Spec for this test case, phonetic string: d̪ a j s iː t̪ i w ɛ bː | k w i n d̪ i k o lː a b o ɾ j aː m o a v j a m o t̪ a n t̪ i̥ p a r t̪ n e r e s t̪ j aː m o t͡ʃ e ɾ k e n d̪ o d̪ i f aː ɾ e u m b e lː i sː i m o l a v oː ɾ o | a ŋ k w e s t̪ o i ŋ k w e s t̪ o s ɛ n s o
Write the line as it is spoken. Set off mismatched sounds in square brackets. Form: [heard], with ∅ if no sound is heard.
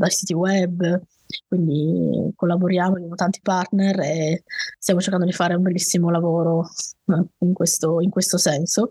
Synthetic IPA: d̪ a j s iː t̪ i w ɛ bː | k w i n d̪ i k o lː a b o ɾ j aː m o a [b] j a m o t̪ a n t̪ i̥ p a r t̪ n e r e s t̪ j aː m o t͡ʃ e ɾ k [a] n d̪ o d̪ i f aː ɾ e u m b e lː i sː i m o l a v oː ɾ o | [i] ŋ k w e s t̪ o i ŋ k w e s t̪ o s ɛ n s o